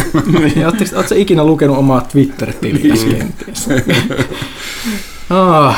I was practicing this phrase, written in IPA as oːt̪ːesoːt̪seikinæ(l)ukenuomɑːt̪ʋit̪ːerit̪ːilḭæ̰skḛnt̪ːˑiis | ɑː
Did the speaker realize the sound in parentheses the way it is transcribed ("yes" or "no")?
yes